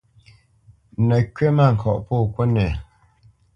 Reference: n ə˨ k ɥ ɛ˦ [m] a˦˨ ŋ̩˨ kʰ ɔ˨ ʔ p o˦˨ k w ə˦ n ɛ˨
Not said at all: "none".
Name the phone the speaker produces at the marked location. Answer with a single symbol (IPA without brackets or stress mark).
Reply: m